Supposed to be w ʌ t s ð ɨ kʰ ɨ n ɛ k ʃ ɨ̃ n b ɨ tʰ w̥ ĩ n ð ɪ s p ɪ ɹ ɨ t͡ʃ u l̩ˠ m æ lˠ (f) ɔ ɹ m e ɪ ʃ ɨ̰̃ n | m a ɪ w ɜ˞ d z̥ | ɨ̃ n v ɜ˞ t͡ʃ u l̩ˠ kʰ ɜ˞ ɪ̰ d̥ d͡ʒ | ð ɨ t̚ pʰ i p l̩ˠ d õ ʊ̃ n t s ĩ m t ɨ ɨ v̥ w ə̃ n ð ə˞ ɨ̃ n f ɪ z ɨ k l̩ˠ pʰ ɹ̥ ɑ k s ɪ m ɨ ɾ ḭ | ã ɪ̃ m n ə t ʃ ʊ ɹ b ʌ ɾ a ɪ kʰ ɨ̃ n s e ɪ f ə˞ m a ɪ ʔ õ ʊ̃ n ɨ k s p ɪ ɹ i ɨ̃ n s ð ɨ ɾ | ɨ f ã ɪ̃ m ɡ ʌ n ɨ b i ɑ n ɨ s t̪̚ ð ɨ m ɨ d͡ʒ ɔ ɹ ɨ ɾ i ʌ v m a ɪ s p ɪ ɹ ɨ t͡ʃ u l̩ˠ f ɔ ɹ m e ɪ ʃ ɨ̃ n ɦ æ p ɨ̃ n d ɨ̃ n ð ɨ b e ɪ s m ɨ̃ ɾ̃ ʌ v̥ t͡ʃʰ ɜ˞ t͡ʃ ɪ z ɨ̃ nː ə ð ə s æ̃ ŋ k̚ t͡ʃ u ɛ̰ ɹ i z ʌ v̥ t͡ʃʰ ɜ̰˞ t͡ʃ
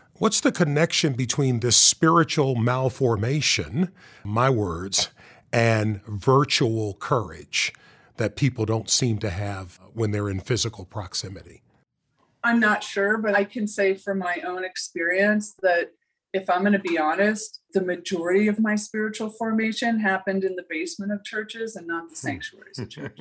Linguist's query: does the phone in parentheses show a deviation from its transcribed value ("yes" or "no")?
no